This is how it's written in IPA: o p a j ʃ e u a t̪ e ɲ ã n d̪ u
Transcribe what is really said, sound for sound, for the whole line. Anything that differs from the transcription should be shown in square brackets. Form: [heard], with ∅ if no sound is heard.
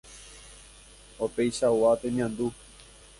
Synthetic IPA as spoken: o p [e] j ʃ [a] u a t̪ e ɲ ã n d̪ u